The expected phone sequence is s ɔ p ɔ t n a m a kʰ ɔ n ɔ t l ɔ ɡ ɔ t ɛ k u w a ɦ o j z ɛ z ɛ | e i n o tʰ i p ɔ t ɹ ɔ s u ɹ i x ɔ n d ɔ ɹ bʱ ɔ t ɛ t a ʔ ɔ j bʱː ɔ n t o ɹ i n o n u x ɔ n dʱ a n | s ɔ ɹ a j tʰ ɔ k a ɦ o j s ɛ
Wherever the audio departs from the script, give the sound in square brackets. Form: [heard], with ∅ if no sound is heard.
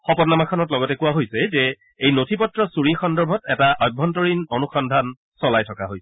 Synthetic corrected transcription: [x] ɔ p ɔ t n a m a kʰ ɔ n ɔ t l ɔ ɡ ɔ t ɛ k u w a ɦ o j [s] ɛ z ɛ | e [j] n o tʰ i p ɔ t ɹ ɔ s u ɹ i x ɔ n d ɔ ɹ bʱ ɔ t ɛ t a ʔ ɔ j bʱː ɔ n t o ɹ i n o n u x ɔ n dʱ a n | s ɔ [l] a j tʰ ɔ k a ɦ o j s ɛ